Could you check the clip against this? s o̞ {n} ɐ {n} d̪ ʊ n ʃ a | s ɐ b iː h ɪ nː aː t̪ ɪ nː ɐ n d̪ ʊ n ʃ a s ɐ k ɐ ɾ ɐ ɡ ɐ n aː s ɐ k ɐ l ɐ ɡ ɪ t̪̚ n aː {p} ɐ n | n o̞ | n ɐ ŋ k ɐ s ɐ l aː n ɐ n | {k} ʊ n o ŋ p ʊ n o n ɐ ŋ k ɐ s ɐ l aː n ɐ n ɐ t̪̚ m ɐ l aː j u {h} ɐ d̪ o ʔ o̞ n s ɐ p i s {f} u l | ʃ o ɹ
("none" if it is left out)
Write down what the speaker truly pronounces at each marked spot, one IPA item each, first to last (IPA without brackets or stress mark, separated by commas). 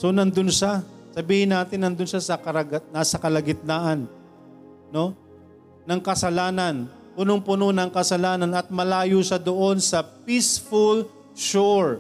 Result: n, n, ʔ, p, ʃ, f